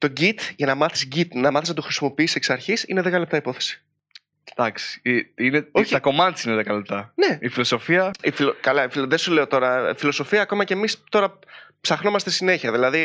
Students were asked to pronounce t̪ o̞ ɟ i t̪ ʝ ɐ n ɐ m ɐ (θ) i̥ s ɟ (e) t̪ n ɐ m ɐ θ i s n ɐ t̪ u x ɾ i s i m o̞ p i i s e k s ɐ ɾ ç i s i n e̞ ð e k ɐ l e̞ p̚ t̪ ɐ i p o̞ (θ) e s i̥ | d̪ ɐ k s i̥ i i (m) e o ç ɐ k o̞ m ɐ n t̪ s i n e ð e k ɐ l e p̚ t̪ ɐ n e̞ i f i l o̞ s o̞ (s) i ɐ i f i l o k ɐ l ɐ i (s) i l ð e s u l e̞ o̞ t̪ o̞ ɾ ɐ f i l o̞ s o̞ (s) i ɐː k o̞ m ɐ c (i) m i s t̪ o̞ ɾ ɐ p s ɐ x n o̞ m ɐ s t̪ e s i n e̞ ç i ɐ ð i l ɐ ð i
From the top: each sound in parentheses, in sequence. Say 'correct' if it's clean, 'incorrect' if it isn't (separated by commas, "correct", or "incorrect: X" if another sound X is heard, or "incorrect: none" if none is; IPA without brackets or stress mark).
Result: correct, incorrect: i, correct, incorrect: n, incorrect: f, incorrect: f, incorrect: f, incorrect: e